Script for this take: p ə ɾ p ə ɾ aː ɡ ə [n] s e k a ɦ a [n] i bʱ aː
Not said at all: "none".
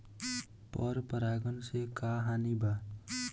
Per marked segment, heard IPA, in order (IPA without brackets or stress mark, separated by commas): n, n